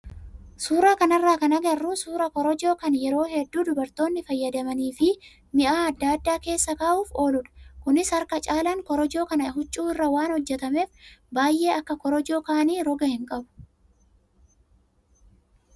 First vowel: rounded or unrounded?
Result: rounded